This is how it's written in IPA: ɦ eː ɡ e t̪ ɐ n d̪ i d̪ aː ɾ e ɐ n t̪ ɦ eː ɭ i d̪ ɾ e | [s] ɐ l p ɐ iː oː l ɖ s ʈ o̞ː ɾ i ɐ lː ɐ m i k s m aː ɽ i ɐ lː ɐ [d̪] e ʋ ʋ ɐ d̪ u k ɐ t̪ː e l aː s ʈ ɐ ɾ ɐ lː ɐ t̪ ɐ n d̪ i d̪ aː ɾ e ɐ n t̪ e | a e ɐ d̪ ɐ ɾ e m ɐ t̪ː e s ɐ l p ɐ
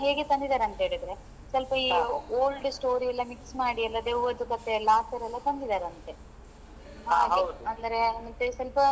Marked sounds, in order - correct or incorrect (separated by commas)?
correct, correct